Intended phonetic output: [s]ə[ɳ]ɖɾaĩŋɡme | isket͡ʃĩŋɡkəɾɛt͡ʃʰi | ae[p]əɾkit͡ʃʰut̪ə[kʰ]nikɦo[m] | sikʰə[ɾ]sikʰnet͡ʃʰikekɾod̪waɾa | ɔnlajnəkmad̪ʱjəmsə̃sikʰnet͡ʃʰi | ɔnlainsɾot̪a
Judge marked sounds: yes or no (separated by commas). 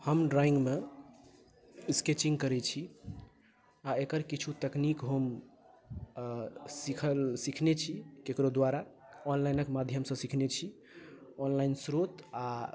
no, no, no, no, yes, no